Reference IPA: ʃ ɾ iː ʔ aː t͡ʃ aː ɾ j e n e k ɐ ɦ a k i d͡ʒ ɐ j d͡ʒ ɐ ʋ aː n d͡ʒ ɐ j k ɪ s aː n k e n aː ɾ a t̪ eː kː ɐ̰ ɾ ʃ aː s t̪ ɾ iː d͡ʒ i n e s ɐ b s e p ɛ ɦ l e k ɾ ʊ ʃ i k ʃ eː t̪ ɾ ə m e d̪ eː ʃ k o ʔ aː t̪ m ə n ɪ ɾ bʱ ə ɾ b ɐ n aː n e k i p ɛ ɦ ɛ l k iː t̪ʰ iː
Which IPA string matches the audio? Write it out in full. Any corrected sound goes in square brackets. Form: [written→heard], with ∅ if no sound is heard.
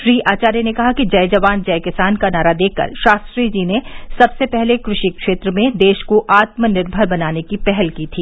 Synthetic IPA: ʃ ɾ iː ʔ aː t͡ʃ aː ɾ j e n e k ɐ ɦ a k i d͡ʒ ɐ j d͡ʒ ɐ ʋ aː n d͡ʒ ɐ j k ɪ s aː n k [e→a] n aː ɾ a [t̪→d̪] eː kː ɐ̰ ɾ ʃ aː s t̪ ɾ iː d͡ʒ i n e s ɐ b s e p ɛ ɦ l e k ɾ ʊ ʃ i k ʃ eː t̪ ɾ ə m [e→ẽ] d̪ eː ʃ k o ʔ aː t̪ m ə n ɪ ɾ bʱ ə ɾ b ɐ n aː n e k i p ɛ ɦ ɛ l k iː t̪ʰ iː

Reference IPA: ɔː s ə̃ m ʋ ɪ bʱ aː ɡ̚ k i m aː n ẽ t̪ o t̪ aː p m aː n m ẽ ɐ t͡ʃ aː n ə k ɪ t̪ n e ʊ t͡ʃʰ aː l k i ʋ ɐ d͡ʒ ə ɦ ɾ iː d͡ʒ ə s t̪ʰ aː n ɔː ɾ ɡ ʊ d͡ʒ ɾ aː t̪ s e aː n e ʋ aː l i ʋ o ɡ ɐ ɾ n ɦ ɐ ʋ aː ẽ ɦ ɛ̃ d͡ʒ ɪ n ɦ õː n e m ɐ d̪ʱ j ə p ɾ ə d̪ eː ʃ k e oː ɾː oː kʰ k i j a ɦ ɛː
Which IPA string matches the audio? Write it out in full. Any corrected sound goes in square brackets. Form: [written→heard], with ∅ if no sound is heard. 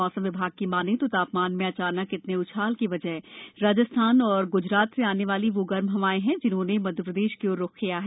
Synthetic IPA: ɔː s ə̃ m ʋ ɪ bʱ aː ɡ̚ k i m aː n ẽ t̪ o t̪ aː p m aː n m ẽ ɐ t͡ʃ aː n ə k ɪ t̪ n e ʊ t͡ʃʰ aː l k i ʋ ɐ d͡ʒ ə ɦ ɾ [iː→aː] d͡ʒ ə s t̪ʰ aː n ɔː ɾ ɡ ʊ d͡ʒ ɾ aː t̪ s e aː n e ʋ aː l i ʋ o ɡ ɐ ɾ [n→m] ɦ ɐ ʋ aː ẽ ɦ ɛ̃ d͡ʒ ɪ n ɦ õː n e m ɐ d̪ʱ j ə p ɾ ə d̪ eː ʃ k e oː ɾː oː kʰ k i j a ɦ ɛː

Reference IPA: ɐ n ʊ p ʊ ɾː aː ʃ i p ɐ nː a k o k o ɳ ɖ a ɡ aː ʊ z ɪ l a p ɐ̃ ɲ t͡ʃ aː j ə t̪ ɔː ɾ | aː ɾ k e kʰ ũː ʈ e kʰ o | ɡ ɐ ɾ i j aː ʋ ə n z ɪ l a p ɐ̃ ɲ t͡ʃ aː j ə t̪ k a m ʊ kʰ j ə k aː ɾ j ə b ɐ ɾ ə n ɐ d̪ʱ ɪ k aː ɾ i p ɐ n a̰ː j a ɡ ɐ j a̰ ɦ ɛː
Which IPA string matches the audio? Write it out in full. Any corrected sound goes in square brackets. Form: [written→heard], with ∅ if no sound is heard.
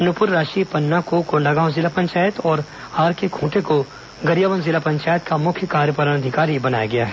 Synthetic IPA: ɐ n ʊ p ʊ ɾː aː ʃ i p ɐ nː a k o k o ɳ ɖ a ɡ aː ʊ z ɪ l a p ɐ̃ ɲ t͡ʃ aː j ə t̪ ɔː ɾ | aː ɾ k e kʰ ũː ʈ e [kʰ→k] o | ɡ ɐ ɾ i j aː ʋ ə n z ɪ l a p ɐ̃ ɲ t͡ʃ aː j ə t̪ k a m ʊ kʰ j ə k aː ɾ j ə [b→p] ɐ ɾ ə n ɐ d̪ʱ ɪ k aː ɾ i [p→b] ɐ n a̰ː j a ɡ ɐ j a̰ ɦ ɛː

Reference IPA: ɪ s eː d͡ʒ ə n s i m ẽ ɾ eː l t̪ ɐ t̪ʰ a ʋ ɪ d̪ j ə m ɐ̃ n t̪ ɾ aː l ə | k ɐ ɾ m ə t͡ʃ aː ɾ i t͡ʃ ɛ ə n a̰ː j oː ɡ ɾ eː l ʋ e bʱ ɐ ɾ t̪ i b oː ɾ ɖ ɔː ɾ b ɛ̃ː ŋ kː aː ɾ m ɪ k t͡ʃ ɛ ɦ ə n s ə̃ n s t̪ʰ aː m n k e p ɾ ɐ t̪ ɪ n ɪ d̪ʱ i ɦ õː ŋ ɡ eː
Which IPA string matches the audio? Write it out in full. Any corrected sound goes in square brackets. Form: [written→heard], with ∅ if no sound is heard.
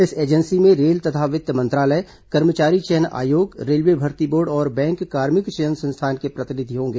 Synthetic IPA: ɪ s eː d͡ʒ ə n s i m ẽ ɾ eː l t̪ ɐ t̪ʰ a ʋ ɪ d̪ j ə m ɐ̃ n t̪ ɾ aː l ə | k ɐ ɾ m ə t͡ʃ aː ɾ i t͡ʃ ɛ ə n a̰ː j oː ɡ ɾ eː l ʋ e bʱ ɐ ɾ t̪ i b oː ɾ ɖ ɔː ɾ b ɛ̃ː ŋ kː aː ɾ m ɪ k t͡ʃ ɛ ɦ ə n s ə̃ n s t̪ʰ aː [m→∅] n k e p ɾ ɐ t̪ ɪ n ɪ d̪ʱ i ɦ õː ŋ ɡ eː

